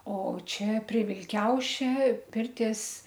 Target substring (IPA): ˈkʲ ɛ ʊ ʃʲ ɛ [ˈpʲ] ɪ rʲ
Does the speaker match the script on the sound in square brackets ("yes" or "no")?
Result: yes